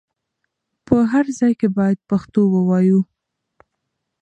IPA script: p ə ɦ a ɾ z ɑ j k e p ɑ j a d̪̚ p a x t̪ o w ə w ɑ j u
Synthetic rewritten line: p ə ɦ a ɾ z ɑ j k e b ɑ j a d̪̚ p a x t̪ o w ə w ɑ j u